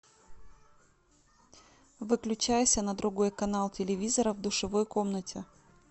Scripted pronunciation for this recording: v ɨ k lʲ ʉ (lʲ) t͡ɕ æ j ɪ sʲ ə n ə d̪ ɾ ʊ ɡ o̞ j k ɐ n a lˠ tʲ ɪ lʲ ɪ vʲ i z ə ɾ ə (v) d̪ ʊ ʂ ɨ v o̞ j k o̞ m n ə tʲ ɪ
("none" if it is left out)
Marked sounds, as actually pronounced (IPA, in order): none, v

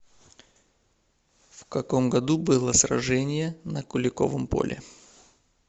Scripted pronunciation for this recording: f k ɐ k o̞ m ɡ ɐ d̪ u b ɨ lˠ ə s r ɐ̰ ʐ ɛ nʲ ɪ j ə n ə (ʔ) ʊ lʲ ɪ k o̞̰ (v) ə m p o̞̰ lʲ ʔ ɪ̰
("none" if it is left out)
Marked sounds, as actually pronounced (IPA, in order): k, v

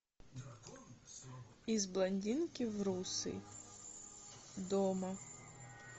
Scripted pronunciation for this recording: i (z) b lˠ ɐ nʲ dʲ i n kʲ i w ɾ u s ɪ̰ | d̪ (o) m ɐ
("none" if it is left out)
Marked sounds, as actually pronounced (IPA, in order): z, ɔ

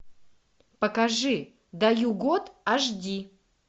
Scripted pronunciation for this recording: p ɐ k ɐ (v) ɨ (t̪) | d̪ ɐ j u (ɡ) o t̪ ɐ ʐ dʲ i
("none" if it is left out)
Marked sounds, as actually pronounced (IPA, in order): ʐ, none, ɡ

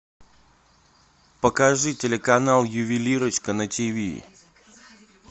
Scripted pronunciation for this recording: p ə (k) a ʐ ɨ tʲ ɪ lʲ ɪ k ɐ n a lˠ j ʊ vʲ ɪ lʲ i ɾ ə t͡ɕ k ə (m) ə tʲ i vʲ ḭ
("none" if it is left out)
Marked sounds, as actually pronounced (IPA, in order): k, n

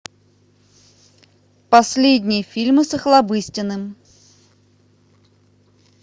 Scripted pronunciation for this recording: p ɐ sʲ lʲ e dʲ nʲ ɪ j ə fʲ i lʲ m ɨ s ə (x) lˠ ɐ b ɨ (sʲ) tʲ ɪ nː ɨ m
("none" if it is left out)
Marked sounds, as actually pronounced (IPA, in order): x, sʲ

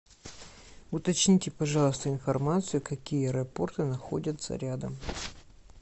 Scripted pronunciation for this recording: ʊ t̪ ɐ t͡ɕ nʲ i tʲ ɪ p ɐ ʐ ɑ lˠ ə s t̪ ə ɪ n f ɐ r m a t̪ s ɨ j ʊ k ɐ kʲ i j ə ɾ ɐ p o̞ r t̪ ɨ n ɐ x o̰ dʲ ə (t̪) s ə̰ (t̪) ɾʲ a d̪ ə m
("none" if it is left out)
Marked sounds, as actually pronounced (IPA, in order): t̪, none

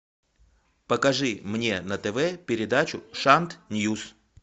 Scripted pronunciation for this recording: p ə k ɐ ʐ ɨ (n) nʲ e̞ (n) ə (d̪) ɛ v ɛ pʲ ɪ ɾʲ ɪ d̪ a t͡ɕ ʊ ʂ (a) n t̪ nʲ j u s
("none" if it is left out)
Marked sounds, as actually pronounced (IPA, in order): m, n, t̪, a

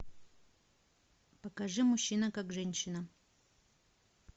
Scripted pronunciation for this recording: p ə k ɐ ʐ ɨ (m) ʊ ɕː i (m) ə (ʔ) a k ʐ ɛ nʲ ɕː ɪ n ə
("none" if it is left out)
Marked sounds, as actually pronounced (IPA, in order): m, n, k

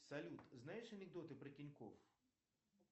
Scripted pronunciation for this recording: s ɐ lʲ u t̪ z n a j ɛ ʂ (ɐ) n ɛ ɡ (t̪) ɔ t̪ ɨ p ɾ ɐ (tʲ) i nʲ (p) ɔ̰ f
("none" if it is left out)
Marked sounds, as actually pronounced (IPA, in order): ɐ, d̪, tʲ, k

